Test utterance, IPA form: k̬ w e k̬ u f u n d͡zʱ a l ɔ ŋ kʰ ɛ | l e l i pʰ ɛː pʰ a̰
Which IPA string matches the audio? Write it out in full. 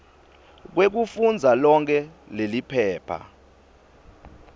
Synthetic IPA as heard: k̬ w e k̬ u f u n d͡zʱ a l ɔ ŋ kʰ ɛ | l e l i pʰ ɛː pʰ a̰

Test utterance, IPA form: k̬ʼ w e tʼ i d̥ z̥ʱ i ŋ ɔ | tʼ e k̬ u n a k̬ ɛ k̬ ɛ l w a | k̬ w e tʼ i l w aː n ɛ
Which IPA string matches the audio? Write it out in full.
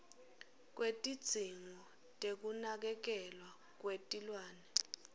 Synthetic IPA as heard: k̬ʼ w e tʼ i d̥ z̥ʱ i ŋ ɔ | tʼ e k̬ u n a k̬ ɛ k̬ ɛ l w a | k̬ w e tʼ i l w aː n ɛ

